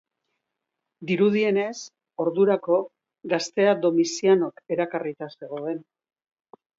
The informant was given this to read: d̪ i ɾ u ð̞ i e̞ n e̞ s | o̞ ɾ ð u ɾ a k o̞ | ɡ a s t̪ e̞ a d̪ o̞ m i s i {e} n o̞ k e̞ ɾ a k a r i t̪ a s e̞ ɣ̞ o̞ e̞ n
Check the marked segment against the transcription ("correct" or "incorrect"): incorrect